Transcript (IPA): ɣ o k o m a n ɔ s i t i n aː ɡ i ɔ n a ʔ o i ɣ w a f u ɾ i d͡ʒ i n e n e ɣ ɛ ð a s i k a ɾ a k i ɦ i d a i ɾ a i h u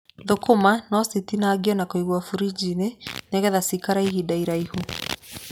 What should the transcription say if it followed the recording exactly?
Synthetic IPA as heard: ð o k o m a n ɔ s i t i n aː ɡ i ɔ n a k o i ɣ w a f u ɾ i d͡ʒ i n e n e ɣ ɛ ð a s i k a ɾ a i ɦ i d a i ɾ a i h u